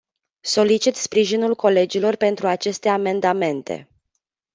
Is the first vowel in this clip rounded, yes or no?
yes